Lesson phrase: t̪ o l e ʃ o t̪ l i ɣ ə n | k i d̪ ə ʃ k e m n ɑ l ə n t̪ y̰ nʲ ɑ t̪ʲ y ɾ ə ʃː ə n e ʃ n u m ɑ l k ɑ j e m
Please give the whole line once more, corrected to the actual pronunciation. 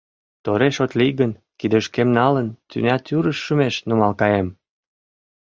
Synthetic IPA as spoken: t̪ o ɾ e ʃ o t̪ l i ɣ ə n | k i d̪ ə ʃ k e m n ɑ l ə n t̪ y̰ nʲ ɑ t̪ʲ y ɾ ə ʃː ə m e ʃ n u m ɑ l k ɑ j e m